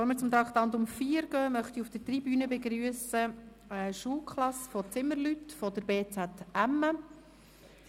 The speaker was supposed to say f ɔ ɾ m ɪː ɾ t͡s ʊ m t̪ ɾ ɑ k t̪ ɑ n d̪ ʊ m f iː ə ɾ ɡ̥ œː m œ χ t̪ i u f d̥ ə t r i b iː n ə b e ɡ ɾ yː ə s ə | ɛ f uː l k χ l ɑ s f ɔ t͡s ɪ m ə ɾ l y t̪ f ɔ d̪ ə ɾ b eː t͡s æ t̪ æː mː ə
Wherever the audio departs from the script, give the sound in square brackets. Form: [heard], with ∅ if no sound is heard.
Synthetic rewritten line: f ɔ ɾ m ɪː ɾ t͡s ʊ m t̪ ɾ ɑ k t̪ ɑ n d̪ ʊ m f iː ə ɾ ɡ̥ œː m œ χ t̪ i u f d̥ ə t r i b [yː] n ə b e ɡ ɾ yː ə s ə | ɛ [ʃ] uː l k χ l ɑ s f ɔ t͡s ɪ m ə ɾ l y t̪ f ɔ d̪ ə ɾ b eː t͡s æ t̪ [æ] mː ə